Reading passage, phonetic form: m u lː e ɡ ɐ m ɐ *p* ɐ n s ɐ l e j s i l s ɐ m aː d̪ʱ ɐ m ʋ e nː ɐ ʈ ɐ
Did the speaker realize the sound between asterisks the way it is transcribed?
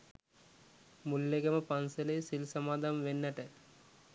yes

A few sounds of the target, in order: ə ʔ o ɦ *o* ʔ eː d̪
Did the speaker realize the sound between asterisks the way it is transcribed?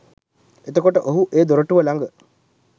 no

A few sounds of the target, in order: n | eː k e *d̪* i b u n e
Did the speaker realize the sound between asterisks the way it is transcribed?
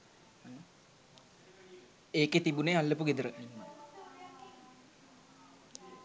no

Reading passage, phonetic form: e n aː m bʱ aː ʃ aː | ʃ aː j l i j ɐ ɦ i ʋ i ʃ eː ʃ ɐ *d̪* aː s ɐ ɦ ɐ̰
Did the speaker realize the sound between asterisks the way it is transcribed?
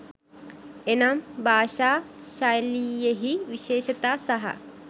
no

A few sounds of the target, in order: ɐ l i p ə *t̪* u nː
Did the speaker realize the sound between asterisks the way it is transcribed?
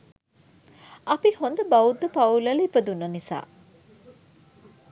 no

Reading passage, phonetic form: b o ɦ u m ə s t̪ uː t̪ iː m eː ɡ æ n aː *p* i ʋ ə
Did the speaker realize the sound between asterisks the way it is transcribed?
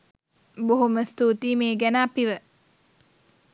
yes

